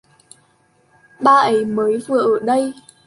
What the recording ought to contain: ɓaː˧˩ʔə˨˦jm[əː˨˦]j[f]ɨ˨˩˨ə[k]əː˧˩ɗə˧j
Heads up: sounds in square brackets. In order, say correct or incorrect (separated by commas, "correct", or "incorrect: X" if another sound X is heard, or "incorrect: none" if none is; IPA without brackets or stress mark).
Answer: correct, incorrect: v, incorrect: ʔ